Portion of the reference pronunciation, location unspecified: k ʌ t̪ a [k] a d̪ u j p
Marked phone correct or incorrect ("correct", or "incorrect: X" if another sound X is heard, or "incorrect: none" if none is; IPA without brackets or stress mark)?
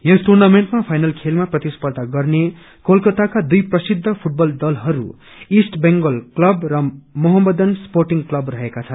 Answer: correct